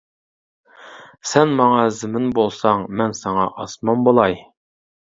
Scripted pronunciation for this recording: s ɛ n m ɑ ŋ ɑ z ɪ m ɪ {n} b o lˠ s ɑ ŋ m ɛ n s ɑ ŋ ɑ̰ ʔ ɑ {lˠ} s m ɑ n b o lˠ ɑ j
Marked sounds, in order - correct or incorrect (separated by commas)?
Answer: correct, incorrect